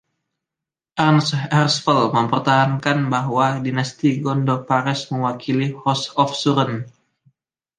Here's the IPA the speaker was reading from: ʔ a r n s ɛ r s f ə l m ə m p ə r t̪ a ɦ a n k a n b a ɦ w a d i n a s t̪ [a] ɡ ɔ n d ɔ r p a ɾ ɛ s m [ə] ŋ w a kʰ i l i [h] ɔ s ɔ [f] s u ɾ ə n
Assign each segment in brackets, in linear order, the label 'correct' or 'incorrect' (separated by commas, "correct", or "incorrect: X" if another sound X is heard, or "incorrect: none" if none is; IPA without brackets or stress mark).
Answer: incorrect: i, correct, correct, correct